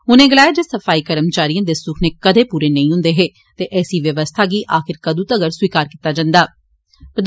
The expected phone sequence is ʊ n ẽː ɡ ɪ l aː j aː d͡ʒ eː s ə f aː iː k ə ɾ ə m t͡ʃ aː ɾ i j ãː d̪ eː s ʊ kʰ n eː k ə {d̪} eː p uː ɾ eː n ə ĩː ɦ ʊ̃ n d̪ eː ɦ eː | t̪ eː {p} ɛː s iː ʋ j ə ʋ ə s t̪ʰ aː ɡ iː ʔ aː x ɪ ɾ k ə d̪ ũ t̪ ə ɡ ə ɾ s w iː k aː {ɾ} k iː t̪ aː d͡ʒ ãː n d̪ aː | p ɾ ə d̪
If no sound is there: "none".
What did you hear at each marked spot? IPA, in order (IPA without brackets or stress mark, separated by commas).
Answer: d̪, ʔ, ɾ